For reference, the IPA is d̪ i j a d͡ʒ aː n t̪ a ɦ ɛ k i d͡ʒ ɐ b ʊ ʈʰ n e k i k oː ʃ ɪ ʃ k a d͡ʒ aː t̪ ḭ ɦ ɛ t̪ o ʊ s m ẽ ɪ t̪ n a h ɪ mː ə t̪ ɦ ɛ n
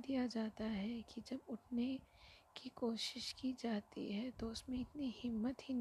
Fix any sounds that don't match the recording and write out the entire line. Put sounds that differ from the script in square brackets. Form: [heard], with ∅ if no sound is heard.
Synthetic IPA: d̪ i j a d͡ʒ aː [∅] t̪ a ɦ ɛ k i d͡ʒ ɐ b ʊ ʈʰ n e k i k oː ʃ ɪ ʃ k [i] d͡ʒ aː t̪ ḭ ɦ ɛ t̪ o ʊ s m ẽ ɪ t̪ n [i] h ɪ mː ə t̪ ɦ [i] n